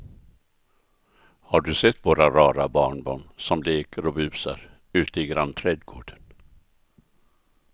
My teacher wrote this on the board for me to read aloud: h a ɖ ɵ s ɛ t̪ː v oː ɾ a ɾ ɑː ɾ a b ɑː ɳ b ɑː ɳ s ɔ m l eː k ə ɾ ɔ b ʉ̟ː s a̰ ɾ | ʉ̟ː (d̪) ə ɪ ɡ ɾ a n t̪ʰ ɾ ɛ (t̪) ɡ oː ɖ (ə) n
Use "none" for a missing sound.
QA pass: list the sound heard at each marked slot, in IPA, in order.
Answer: t̪, d̪, ə

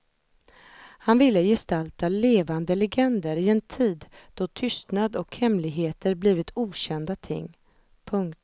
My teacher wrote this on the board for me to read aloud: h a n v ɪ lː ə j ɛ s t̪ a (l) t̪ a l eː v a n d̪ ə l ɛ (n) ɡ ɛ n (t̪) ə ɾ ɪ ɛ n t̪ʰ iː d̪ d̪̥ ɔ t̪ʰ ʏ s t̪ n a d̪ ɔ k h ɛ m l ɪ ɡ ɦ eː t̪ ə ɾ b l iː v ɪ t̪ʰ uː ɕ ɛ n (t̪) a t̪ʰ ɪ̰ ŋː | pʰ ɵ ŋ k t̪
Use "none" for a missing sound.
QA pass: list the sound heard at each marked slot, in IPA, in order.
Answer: l, none, d̪, d̪

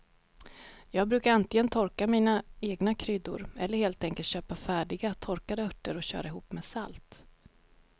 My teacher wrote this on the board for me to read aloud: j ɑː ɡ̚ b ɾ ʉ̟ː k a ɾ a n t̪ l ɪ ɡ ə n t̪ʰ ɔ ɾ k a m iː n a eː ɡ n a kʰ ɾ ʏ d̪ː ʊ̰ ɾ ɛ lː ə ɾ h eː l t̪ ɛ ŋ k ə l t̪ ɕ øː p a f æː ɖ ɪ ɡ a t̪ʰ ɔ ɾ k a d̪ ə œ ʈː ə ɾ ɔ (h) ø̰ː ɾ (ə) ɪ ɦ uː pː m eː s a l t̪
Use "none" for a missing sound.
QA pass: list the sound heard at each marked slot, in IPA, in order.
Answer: ɕ, a

